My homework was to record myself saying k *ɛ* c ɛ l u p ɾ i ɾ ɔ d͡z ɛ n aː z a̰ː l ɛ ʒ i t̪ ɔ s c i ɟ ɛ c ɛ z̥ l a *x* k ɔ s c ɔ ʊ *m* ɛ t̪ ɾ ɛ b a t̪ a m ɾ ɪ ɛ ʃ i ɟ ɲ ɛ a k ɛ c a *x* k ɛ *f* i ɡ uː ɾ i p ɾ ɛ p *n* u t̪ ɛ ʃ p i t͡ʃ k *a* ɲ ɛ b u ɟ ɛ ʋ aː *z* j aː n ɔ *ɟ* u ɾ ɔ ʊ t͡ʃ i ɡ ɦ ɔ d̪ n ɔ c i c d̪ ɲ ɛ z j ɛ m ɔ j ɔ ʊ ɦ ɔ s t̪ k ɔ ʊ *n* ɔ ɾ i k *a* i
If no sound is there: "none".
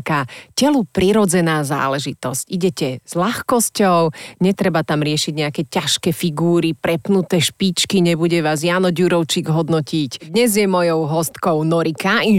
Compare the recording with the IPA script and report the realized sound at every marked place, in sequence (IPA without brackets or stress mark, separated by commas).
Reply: a, x, ɲ, ʃ, f, n, i, z, ɟ, n, a